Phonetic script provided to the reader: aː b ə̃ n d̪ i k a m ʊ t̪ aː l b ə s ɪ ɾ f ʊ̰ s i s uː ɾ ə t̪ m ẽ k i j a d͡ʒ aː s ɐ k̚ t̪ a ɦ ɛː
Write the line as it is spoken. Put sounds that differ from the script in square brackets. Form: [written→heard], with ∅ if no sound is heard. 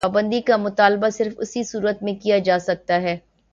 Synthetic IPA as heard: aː b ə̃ n d̪ i k a m ʊ t̪ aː l b [ə→a] s ɪ ɾ f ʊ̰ s i s uː ɾ ə t̪ m ẽ k i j a d͡ʒ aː s ɐ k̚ t̪ a ɦ ɛː